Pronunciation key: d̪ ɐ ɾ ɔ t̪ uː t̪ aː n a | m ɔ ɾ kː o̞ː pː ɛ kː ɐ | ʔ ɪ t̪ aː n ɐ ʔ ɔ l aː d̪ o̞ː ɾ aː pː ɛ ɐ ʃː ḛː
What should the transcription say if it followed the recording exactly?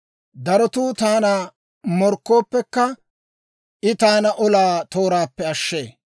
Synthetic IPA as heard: d̪ ɐ ɾ ɔ t̪ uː t̪ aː n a | m ɔ ɾ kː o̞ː pː ɛ kː ɐ | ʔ ɪ t̪ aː n ɐ ʔ ɔ l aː t̪ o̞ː ɾ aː pː ɛ ɐ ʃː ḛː